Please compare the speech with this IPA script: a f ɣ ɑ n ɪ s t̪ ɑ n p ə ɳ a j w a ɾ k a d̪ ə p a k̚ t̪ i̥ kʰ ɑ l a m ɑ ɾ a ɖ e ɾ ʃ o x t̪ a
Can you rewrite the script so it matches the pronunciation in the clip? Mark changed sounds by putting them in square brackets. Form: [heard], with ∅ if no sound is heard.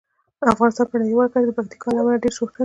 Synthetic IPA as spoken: a f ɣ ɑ n ɪ s t̪ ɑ n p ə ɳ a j w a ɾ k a d̪ ə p a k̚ t̪ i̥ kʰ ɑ l a m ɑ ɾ a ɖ e ɾ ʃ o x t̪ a